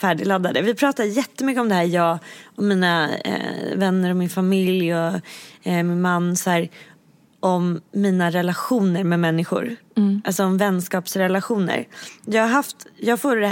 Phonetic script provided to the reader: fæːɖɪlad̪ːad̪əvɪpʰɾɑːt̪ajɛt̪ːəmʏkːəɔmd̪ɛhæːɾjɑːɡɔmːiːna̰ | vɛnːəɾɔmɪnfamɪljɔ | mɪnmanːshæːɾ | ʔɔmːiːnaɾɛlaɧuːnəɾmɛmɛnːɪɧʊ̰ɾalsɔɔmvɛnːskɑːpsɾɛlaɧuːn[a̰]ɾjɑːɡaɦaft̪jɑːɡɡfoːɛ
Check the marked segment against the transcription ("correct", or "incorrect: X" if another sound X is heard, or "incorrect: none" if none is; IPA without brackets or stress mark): incorrect: ə̰